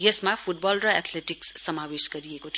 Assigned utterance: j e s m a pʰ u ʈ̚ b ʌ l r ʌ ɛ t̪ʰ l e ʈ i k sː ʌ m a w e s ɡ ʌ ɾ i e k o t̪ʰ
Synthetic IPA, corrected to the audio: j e s m a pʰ u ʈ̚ b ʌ l r ʌ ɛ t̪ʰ l e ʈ i k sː ʌ m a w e s ɡ ʌ ɾ i e k o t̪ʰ

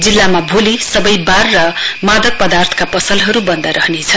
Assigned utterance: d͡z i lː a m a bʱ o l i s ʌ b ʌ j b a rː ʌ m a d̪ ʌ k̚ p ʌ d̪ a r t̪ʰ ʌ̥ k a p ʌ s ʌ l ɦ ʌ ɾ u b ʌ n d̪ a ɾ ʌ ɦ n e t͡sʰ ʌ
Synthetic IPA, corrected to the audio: d͡z i lː a m a bʱ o l i s ʌ b ʌ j b a rː ʌ m a d̪ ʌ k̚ p ʌ d̪ a r t̪ʰ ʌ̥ k a p ʌ s ʌ l ɦ ʌ ɾ u b ʌ n d̪ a ɾ ʌ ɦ n e t͡sʰ ʌ

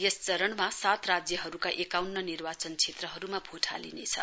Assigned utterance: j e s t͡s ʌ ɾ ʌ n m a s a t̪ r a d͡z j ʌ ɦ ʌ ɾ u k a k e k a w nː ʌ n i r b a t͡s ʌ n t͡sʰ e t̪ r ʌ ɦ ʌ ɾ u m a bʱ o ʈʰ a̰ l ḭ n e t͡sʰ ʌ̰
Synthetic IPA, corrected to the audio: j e s t͡s ʌ ɾ ʌ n m a s a t̪ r a d͡z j ʌ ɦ ʌ ɾ u k a ʔ e k a w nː ʌ n i r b a t͡s ʌ n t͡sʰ e t̪ r ʌ ɦ ʌ ɾ u m a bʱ o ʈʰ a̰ l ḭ n e t͡sʰ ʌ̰

